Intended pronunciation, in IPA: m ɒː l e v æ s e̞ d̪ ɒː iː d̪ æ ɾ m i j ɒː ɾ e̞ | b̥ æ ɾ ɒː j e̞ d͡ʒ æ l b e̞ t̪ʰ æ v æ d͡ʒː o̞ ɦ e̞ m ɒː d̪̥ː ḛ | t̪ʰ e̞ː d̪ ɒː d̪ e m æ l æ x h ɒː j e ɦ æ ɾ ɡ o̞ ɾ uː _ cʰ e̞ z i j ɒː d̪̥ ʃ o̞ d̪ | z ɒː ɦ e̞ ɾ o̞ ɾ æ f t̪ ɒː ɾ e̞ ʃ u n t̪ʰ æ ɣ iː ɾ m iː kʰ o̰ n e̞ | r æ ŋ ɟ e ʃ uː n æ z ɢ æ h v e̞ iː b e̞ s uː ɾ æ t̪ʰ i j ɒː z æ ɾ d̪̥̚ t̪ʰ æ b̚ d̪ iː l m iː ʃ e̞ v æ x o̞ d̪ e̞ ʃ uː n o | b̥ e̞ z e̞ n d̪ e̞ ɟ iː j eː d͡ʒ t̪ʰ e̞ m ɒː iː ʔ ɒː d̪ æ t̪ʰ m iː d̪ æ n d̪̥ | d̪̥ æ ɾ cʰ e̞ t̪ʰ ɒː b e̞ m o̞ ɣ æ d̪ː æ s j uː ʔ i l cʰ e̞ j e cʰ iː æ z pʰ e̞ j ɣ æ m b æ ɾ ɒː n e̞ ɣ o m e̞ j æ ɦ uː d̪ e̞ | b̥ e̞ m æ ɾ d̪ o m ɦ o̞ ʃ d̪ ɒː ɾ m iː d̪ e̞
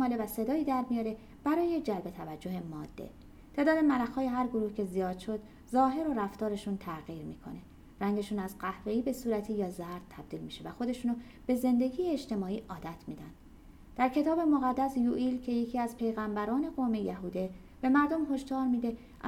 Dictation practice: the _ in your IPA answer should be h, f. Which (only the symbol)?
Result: h